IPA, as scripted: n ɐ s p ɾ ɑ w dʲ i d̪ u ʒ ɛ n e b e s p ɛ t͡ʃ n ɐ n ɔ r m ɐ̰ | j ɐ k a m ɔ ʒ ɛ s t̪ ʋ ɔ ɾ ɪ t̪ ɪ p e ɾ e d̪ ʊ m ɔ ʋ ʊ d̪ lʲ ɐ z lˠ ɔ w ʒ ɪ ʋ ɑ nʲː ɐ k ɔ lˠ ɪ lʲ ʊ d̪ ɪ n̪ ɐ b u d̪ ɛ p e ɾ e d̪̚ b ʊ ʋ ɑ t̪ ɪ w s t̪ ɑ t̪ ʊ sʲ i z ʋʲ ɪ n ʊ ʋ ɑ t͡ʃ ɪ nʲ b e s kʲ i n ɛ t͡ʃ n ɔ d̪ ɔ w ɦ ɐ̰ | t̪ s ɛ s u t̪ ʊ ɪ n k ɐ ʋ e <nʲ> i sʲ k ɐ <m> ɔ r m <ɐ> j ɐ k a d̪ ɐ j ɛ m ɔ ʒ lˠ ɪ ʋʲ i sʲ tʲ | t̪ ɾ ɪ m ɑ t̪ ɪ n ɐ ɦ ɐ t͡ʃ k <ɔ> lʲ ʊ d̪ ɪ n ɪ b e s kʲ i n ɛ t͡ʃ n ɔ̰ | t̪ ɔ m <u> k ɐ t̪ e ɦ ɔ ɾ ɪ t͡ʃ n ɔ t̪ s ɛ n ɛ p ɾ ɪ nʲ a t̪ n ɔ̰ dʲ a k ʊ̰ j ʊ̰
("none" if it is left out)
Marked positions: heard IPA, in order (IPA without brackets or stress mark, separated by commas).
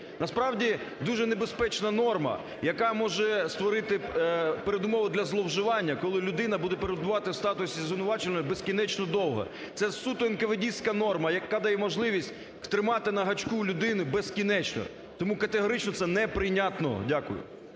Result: dʲ, n, ɐ, u, u